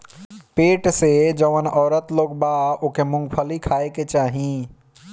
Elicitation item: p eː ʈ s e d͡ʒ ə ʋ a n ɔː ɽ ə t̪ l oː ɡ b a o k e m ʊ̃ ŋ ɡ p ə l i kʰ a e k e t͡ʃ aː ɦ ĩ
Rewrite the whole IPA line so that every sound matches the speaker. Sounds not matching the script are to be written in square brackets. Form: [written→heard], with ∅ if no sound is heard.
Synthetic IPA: p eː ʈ s e d͡ʒ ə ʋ [a→ə] n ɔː [ɽ→ɾ] ə t̪ l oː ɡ b a o k e m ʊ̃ ŋ ɡ [p→pʰ] ə l i kʰ a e k e t͡ʃ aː ɦ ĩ